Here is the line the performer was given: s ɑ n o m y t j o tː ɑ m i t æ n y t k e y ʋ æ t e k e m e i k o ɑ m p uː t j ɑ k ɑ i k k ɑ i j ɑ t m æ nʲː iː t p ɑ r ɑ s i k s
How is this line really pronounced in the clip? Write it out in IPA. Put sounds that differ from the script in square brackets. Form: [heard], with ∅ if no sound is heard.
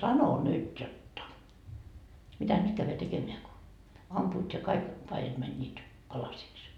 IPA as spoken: s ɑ n o [n] y t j o tː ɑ m i t æ n y t k [æ] y ʋ æ t e k e m e [æ] k o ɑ m p uː t j ɑ k ɑ i k [p] ɑ i j ɑ t m æ nʲː iː t p ɑ [l] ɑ s i k s